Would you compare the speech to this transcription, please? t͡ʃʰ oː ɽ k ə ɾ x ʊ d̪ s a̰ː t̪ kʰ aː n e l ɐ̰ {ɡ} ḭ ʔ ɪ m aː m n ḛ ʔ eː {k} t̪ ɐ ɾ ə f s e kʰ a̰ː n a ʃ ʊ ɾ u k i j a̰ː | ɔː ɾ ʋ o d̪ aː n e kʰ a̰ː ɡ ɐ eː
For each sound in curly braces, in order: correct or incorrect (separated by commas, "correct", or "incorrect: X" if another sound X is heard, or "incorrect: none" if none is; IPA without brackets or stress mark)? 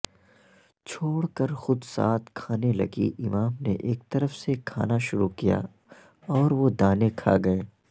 correct, correct